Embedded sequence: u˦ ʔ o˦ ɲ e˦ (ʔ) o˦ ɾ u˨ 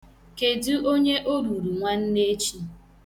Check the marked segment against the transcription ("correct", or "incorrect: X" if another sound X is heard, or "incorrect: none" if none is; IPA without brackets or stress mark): correct